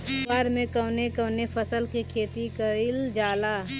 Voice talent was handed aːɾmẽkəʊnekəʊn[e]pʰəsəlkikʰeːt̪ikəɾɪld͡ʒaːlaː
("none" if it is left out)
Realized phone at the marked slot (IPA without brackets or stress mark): e